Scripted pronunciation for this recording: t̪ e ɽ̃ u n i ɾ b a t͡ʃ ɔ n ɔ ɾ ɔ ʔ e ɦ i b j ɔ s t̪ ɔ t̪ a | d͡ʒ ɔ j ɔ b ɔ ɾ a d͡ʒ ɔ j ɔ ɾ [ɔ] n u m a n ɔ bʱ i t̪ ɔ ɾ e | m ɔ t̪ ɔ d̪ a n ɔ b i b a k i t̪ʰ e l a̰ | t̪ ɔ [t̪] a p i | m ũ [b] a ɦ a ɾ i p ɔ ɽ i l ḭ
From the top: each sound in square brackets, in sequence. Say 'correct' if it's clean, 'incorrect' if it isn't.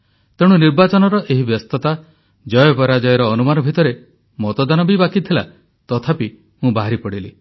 incorrect: ɔː, incorrect: t̪ʰ, correct

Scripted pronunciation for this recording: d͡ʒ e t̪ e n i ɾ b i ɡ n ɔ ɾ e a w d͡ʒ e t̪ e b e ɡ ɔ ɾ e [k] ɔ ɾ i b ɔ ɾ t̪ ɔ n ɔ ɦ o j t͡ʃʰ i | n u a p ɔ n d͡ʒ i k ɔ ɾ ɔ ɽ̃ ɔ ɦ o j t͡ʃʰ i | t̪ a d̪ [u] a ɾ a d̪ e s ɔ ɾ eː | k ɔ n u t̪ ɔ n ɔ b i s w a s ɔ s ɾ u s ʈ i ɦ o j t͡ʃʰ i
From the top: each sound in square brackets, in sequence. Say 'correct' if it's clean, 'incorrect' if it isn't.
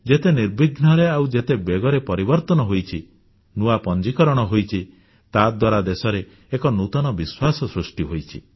incorrect: p, incorrect: w

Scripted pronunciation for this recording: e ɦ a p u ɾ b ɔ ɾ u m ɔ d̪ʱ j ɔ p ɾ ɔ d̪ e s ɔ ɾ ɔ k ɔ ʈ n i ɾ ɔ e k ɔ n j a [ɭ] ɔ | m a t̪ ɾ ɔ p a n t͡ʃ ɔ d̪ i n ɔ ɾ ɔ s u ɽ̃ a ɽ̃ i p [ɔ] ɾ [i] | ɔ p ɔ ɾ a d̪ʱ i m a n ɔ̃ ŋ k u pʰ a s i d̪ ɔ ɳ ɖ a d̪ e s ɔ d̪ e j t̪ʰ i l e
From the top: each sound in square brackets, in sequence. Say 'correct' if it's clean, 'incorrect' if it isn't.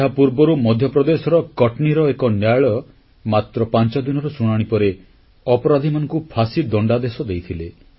correct, correct, incorrect: e

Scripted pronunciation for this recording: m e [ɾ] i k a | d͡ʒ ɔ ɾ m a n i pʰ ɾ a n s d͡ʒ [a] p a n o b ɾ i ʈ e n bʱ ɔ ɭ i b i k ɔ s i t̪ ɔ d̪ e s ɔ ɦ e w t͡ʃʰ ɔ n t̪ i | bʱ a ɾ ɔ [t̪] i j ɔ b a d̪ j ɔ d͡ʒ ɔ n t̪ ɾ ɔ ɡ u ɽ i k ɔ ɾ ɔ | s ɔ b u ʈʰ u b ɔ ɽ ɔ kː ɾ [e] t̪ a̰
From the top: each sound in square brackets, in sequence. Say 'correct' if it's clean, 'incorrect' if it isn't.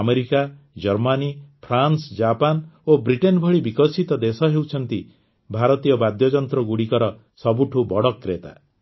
correct, correct, correct, correct

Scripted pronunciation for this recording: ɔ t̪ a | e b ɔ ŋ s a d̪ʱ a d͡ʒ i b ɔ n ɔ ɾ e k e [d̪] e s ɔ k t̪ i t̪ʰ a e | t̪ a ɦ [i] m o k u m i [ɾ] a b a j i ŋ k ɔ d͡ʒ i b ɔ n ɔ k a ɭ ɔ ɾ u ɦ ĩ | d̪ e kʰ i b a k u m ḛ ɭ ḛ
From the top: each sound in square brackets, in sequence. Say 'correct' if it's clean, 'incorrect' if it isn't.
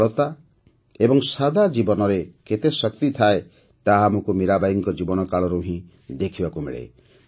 incorrect: t̪, incorrect: a, correct

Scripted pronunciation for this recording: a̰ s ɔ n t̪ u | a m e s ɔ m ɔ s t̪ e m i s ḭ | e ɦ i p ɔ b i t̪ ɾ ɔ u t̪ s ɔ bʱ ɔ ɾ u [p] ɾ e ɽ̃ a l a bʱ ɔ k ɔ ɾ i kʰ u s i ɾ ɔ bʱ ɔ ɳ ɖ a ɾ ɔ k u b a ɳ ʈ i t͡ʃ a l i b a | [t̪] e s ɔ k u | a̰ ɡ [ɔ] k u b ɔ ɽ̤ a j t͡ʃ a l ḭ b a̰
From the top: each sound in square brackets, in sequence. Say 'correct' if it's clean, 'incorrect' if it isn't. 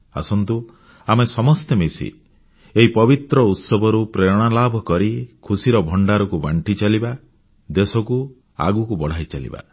correct, incorrect: d̪, incorrect: u

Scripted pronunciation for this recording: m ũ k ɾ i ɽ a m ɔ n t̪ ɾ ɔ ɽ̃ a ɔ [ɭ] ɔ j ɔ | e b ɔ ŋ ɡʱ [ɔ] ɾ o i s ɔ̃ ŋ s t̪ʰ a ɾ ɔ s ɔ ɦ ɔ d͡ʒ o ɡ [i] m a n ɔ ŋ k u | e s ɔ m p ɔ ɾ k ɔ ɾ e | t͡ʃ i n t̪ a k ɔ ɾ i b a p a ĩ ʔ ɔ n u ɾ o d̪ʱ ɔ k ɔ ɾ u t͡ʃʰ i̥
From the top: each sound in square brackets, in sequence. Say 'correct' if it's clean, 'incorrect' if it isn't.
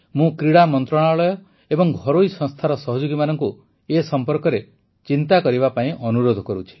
correct, correct, correct

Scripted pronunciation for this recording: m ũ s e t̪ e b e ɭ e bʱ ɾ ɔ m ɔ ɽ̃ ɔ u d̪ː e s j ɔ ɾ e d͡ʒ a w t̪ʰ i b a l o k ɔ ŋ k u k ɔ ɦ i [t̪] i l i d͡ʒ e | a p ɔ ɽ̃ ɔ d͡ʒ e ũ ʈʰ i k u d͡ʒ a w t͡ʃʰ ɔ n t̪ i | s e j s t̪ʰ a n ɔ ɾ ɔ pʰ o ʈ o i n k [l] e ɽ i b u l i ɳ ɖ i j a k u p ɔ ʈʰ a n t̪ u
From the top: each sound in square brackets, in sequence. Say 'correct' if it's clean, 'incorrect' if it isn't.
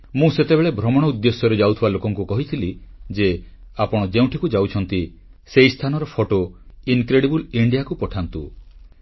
incorrect: t̪ʰ, incorrect: ɾ

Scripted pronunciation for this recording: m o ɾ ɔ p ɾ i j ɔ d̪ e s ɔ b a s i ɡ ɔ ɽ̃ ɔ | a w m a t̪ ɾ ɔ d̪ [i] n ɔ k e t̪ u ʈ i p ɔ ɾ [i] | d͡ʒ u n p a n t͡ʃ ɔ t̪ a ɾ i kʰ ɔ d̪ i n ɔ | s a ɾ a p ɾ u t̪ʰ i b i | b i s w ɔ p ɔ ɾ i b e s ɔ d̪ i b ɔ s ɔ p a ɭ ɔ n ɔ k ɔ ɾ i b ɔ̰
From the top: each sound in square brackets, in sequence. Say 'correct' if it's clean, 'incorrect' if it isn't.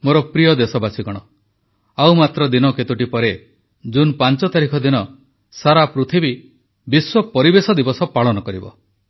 correct, incorrect: e

